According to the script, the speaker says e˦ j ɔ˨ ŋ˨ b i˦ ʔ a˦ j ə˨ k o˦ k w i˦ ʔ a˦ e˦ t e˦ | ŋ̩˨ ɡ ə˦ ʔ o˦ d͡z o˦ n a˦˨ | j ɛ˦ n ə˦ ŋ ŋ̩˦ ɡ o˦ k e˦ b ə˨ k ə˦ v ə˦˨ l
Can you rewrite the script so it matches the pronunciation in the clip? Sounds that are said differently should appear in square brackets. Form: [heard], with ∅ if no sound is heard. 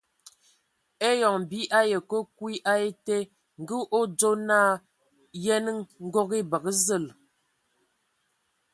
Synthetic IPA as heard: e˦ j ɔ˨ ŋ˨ b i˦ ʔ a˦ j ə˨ k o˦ k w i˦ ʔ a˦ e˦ t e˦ | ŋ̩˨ ɡ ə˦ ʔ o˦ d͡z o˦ n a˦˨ | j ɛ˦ n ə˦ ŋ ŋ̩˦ ɡ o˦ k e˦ b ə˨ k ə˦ [z] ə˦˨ l